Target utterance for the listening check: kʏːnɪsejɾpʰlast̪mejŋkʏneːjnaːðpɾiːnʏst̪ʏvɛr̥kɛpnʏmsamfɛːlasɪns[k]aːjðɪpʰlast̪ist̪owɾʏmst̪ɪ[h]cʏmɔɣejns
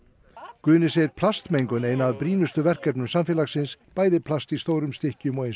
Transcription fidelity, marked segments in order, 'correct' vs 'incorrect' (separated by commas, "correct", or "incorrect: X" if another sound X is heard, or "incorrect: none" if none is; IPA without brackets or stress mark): incorrect: p, correct